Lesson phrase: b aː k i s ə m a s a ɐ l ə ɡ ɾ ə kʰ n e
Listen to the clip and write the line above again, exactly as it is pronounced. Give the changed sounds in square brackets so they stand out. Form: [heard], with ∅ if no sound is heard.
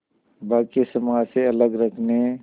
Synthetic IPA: b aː k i s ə m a s [e] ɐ l ə ɡ ɾ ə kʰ n e